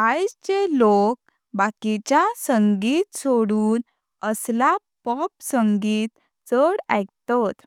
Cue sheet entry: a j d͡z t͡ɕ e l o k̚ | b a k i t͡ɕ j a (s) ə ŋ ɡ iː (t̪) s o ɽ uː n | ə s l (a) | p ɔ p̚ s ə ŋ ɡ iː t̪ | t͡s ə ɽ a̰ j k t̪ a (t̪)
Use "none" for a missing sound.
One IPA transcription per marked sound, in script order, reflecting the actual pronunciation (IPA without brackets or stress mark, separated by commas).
s, t̪, a, t̪